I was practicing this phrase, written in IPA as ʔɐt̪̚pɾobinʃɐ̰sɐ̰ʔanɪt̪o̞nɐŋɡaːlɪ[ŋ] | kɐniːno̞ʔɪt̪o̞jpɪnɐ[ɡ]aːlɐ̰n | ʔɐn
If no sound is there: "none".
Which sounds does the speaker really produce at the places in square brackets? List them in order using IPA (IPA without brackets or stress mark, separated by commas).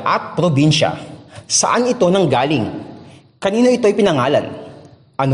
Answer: ŋ, ŋ